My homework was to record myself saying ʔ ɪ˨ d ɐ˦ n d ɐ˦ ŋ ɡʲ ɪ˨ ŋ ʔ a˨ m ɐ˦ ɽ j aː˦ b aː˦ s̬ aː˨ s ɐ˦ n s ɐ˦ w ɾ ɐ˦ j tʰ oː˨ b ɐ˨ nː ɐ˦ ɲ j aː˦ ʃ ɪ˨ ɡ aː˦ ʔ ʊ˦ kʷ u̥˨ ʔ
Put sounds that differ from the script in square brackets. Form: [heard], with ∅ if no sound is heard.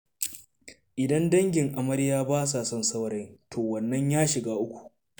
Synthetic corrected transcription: ʔ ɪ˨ d ɐ˦ n d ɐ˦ ŋ ɡʲ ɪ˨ ŋ ʔ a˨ m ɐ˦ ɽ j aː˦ b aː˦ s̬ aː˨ s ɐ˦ n s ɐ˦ w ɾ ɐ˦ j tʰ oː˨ [w] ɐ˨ nː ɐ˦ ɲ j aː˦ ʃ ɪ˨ ɡ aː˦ ʔ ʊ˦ kʷ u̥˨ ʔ